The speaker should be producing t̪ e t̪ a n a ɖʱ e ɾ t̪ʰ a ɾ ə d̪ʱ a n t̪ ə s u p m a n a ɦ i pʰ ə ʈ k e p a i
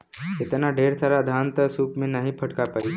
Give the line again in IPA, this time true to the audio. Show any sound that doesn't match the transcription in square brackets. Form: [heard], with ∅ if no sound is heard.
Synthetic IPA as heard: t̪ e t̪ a n a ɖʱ e ɾ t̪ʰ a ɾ [a] d̪ʱ a n t̪ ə s u p m [e] n a ɦ i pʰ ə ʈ k [a] p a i